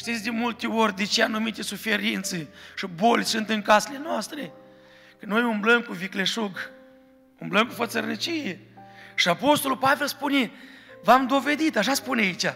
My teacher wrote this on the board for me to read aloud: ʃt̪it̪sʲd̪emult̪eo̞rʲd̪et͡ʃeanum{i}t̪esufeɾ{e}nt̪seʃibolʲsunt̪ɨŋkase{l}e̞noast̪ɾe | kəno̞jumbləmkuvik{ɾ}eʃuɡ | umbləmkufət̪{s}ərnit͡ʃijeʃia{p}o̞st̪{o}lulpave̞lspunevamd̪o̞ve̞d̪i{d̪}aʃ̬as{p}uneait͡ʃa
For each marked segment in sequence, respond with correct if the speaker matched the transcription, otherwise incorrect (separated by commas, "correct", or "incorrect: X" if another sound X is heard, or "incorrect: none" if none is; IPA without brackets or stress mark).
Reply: correct, incorrect: i, correct, incorrect: l, correct, correct, correct, incorrect: t̪, correct